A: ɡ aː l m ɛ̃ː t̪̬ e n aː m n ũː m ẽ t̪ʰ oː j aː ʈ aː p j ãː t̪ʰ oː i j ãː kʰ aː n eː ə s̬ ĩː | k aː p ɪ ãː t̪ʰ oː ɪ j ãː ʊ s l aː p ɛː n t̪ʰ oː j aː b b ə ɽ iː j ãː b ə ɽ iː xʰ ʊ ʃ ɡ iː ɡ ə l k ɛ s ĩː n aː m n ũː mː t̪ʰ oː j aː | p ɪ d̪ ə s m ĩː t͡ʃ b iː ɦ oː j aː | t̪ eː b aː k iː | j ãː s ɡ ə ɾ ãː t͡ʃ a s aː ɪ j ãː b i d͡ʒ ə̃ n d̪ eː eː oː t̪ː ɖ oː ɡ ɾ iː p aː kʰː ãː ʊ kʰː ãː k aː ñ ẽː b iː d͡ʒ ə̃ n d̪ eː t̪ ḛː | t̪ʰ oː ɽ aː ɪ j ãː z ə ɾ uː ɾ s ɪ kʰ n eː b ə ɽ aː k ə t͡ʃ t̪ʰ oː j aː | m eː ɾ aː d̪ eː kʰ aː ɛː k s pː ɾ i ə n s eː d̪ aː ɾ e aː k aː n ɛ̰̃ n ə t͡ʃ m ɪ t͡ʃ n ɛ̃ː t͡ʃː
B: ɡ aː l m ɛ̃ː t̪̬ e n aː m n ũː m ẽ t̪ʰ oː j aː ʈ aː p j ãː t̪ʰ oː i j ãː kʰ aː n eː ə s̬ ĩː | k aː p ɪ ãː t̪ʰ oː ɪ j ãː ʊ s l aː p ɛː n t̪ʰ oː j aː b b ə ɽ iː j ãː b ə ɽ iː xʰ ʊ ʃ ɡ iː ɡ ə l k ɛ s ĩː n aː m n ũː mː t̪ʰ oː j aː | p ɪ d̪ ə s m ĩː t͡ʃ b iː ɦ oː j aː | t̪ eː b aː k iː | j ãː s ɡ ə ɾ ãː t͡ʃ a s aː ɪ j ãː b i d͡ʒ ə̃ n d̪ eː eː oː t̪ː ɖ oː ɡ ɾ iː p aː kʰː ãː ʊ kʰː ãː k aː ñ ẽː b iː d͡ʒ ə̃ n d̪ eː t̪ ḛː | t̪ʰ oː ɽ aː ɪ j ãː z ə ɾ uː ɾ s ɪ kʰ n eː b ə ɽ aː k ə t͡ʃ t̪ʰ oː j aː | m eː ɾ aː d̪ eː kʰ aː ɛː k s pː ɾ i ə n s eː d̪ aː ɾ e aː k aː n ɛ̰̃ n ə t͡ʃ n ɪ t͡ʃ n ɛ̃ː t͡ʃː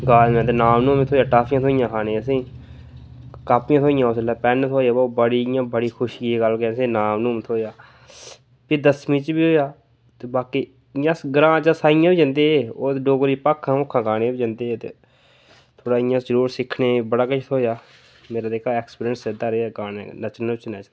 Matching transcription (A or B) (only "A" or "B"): B